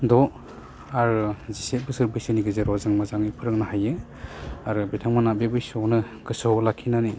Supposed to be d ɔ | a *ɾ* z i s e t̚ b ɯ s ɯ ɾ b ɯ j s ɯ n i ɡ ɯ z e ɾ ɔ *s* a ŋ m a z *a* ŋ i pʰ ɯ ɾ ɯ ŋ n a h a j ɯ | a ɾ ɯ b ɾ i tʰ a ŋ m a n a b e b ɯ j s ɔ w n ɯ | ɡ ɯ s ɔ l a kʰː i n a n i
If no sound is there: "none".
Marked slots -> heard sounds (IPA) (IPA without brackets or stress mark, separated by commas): ɾ, z, a